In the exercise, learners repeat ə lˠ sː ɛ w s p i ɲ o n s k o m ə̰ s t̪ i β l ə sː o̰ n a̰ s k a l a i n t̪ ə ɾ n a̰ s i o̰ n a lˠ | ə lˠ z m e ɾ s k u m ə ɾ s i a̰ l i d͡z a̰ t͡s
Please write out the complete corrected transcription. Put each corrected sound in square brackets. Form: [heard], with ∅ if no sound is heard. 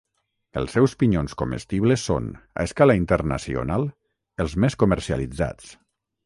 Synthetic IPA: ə lˠ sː ɛ w s p i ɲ o n s k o m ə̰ s t̪ i β l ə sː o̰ n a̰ s k a l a i n t̪ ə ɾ n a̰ s i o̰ n a lˠ | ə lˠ z m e [∅] s k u m ə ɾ s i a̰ l i d͡z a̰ t͡s

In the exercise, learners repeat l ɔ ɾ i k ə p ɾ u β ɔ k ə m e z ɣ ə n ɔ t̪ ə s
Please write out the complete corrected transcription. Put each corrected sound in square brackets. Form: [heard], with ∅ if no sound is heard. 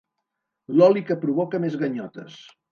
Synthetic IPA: l ɔ [l] i k ə p ɾ u β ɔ k ə m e z ɣ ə [ɲ] ɔ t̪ ə s

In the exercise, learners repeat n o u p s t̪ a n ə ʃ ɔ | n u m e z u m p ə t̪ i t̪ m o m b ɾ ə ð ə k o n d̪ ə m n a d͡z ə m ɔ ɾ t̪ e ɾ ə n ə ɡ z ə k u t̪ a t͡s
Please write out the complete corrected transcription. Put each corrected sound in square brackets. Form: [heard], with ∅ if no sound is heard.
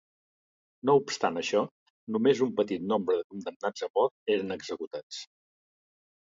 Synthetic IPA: n o u p s t̪ a n ə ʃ ɔ | n u m e z u m p ə t̪ i t̪ [n] o m b ɾ ə ð ə k [u] n d̪ ə m n a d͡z ə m ɔ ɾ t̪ e ɾ ə n ə ɡ z ə k u t̪ a t͡s

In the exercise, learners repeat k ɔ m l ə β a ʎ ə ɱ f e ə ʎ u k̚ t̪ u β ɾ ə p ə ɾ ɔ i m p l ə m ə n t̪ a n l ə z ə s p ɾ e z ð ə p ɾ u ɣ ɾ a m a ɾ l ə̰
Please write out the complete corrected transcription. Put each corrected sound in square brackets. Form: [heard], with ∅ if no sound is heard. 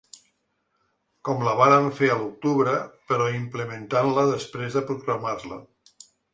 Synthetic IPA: k ɔ m l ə β a [ɾ] ə ɱ f e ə [l] u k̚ t̪ u β ɾ ə p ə ɾ ɔ i m p l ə m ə n t̪ a n l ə [ð] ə s p ɾ e z ð ə p ɾ u ɣ ɾ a m a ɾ l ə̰

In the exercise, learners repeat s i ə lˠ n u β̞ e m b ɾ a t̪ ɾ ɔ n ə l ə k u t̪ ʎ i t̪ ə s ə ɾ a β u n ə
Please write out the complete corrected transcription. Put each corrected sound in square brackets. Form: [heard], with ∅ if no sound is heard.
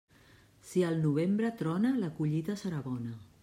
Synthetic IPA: s i ə lˠ n u β̞ e m b ɾ [ə] t̪ ɾ ɔ n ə l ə k u [∅] ʎ i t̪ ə s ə ɾ a β [ɔ] n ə

